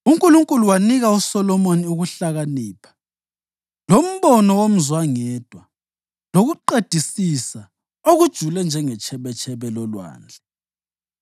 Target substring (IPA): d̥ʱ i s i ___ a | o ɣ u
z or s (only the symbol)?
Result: s